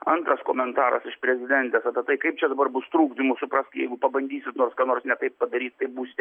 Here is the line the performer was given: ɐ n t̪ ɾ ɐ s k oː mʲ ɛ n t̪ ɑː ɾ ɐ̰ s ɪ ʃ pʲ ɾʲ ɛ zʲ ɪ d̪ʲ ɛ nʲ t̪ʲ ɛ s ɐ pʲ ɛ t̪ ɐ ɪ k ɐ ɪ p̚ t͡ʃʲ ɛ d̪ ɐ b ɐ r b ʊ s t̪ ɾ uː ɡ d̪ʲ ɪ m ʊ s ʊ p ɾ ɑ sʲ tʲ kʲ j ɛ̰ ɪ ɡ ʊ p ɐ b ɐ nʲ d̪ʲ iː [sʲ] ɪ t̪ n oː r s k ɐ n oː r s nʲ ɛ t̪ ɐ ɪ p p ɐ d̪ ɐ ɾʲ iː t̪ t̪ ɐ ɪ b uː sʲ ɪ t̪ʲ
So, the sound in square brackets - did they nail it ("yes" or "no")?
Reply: yes